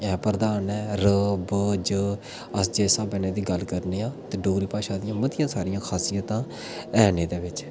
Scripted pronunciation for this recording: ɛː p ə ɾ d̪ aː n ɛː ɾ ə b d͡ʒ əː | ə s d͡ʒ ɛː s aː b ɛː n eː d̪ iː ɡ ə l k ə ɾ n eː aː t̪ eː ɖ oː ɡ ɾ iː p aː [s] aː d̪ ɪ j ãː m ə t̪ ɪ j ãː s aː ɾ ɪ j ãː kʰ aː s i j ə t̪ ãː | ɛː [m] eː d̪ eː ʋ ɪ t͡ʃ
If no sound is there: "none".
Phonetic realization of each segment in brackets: ʃ, n

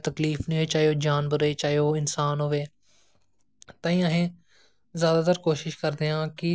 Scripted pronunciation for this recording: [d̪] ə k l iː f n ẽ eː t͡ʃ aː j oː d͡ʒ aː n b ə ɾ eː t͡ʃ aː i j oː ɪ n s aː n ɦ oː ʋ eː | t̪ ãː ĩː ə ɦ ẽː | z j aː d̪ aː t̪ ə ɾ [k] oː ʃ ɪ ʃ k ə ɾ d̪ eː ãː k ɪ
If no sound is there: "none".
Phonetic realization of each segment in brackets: t̪, k

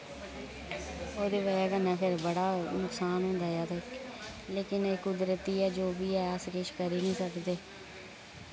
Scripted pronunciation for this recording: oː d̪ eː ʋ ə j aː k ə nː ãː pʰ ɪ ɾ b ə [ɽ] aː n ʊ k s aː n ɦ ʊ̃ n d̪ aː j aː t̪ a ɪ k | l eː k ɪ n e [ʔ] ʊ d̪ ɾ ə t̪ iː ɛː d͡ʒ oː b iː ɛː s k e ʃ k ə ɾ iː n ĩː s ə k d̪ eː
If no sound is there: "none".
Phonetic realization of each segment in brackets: ɽ, k

